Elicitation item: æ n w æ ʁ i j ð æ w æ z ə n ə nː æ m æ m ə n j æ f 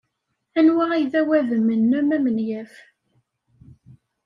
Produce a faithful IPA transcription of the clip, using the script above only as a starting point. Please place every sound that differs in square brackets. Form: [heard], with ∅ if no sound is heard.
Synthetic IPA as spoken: æ n w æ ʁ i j ð æ w æ [ð] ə [m] ə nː æ m æ m ə n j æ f

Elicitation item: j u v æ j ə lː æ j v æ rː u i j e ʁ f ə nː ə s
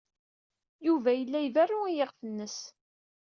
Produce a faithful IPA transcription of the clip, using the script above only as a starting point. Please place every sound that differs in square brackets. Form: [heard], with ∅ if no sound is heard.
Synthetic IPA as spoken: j u v æ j ə lː æ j v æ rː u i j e ʁ f ə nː ə s

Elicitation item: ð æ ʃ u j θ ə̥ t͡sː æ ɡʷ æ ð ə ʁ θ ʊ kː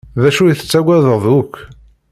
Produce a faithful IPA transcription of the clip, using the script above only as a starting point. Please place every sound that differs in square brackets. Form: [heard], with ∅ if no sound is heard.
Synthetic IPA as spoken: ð æ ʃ u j θ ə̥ t͡sː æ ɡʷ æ ð ə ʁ [ð] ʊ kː

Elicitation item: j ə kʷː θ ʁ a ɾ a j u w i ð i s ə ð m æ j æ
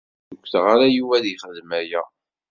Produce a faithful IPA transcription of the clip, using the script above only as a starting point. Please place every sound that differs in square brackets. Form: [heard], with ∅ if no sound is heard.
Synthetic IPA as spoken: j ə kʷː θ ʁ a ɾ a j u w [æ] ð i [χ] ə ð m æ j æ

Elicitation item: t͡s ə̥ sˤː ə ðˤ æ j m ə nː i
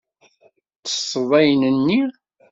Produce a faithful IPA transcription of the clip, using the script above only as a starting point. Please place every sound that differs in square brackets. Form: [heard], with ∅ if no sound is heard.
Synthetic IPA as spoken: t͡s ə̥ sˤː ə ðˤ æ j [n] ə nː i

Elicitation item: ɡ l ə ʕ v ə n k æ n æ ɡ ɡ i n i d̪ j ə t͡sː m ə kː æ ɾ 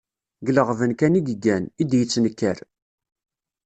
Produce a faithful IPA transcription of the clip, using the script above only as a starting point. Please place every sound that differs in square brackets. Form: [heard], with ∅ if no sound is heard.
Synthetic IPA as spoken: ɡ l ə [ʁ] v ə n k æ n [i] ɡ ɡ [æ] n i d̪ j ə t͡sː [n] ə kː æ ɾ

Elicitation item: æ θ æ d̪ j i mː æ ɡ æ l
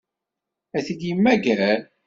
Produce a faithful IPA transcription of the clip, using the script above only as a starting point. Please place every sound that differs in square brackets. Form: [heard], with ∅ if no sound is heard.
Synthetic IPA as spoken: æ θ [i] d̪ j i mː æ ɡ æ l

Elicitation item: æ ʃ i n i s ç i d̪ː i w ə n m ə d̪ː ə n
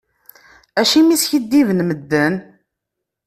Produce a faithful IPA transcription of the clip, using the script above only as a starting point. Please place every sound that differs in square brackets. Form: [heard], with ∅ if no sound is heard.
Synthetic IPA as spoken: æ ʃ i [m] i s ç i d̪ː i [v] ə n m ə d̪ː ə n

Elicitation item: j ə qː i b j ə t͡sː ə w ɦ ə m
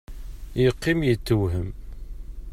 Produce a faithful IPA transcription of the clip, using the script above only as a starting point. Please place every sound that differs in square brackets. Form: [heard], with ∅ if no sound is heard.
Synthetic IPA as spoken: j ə qː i [m] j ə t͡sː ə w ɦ ə m

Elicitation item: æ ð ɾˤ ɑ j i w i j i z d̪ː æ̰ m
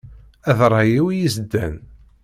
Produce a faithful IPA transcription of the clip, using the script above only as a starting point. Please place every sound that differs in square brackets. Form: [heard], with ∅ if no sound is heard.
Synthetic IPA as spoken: æ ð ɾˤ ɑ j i w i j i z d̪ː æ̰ [n]

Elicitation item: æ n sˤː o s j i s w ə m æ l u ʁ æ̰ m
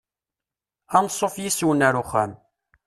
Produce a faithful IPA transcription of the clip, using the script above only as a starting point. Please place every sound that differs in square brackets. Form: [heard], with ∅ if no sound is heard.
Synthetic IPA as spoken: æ n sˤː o [f] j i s w ə [n] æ [ɾ] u [χ] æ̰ m

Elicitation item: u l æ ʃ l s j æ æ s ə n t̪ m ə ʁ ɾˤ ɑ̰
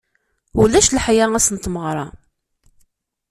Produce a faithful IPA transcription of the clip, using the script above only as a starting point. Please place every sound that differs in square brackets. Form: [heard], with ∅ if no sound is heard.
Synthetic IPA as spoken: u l æ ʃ l [ħ] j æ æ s ə n t̪ m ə ʁ ɾˤ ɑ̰

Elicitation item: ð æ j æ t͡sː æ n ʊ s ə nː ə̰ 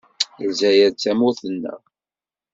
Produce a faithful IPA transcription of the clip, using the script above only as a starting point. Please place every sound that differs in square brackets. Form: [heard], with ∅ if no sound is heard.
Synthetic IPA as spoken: [z] æ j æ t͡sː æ [m] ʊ [θ] ə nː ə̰

